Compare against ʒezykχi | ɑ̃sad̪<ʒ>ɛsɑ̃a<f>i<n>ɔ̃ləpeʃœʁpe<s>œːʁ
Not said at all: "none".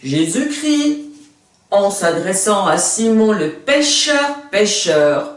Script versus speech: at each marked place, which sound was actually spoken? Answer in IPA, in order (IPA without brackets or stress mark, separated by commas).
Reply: ʁ, s, m, ʃ